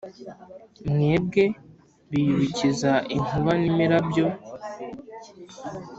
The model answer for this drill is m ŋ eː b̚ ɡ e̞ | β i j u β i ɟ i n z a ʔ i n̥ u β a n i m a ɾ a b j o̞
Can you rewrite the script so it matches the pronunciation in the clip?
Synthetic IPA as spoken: m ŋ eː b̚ ɡ e̞ | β i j u β i c i z a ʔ i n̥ u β a n i m i ɾ a b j o̞